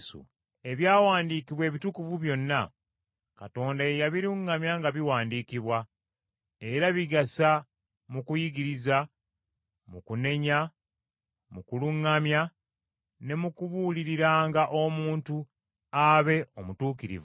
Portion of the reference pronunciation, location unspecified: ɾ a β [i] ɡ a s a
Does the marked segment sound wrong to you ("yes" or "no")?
no